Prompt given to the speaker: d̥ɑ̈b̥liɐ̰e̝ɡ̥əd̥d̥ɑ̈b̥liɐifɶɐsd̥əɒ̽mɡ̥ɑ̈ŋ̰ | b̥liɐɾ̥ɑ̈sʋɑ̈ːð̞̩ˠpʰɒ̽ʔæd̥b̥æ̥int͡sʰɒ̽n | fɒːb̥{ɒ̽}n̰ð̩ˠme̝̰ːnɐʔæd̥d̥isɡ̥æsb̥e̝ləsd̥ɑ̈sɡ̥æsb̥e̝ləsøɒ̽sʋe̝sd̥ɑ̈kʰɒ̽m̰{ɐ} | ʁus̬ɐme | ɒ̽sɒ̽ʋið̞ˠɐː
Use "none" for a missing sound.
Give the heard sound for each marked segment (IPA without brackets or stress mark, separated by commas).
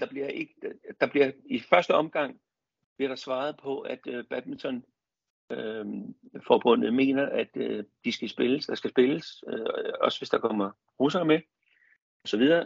ɔ̽, ɐ